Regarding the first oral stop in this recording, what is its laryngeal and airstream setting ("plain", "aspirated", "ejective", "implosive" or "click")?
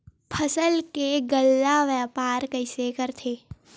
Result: aspirated